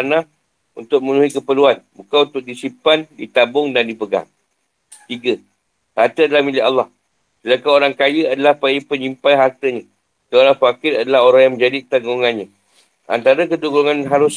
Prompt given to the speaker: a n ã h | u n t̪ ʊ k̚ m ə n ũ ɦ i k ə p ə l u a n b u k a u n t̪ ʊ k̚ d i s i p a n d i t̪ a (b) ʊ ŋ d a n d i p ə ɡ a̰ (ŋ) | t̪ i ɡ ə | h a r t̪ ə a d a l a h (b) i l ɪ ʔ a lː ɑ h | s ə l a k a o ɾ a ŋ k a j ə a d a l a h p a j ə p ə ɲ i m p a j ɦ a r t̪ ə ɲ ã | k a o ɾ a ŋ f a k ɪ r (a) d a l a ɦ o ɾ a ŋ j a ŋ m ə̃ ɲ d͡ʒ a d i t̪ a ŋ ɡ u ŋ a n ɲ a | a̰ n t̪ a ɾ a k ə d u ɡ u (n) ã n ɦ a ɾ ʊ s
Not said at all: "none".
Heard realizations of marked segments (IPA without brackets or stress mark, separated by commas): b, ŋ, m, a, ŋ